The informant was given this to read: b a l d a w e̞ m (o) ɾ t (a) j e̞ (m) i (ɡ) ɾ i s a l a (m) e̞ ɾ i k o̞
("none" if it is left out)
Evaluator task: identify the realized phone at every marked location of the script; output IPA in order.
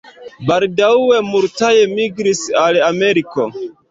u, a, m, ɡ, m

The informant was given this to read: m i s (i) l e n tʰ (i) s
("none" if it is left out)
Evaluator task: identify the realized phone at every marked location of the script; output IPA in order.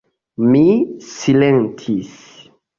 i, i

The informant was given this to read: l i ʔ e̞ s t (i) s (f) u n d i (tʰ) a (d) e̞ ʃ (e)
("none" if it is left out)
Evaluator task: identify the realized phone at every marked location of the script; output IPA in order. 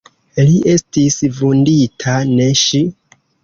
i, v, tʰ, n, i

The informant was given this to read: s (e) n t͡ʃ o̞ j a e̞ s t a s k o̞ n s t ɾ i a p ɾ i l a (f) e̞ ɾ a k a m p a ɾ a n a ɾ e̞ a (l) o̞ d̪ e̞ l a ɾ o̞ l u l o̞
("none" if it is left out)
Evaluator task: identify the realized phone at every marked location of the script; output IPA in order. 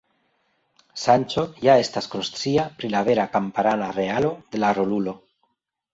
a, v, l

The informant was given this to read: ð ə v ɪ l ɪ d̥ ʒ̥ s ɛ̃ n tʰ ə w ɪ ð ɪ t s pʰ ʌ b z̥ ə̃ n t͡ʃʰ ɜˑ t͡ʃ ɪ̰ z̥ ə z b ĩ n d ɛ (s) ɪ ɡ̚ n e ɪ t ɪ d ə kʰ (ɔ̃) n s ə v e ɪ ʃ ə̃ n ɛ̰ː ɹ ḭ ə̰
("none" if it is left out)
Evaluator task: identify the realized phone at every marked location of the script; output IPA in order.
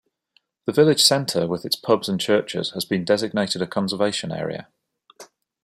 z, ɒ̃

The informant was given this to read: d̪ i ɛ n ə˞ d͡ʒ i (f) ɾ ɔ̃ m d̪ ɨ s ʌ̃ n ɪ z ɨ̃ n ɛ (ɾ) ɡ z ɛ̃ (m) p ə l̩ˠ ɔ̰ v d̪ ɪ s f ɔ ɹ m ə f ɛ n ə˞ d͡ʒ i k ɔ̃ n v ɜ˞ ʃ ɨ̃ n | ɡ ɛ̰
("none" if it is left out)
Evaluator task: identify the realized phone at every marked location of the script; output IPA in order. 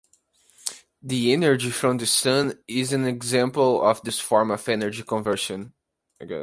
f, none, m

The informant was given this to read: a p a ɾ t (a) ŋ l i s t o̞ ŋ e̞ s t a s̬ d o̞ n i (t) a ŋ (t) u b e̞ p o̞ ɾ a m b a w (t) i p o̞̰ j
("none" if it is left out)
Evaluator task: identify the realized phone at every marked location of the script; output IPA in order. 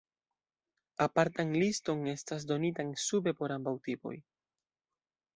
a, t, s, t

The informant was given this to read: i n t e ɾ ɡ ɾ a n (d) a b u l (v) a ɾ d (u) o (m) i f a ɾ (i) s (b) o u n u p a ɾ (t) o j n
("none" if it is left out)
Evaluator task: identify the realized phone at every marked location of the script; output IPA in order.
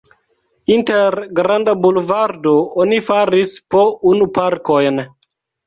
d, v, o, n, i, p, k

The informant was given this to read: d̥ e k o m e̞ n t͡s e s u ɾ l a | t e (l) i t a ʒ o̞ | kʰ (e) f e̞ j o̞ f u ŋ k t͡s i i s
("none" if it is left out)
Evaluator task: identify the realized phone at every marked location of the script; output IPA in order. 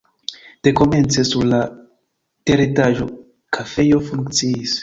ɾ, a

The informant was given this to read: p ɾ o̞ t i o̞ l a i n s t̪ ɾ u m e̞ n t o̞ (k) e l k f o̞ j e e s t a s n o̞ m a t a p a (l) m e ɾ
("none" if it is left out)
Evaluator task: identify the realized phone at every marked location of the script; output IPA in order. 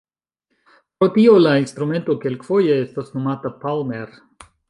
k, l

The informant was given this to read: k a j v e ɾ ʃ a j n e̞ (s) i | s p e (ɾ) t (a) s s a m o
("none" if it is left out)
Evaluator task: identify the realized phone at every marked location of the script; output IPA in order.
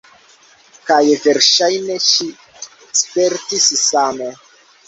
ʃ, ɾ, i

